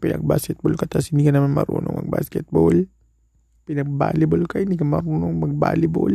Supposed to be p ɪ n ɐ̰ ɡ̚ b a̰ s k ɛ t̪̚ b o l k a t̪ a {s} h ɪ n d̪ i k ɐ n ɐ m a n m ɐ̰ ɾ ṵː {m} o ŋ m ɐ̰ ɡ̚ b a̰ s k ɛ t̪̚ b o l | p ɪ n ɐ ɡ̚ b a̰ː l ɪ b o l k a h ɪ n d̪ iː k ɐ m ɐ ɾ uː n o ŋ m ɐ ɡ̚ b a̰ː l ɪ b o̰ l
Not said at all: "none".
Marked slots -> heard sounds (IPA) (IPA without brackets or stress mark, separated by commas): s, n